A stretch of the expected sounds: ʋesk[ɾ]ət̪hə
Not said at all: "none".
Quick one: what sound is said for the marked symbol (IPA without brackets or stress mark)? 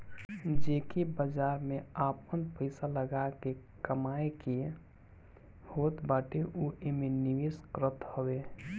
ɾ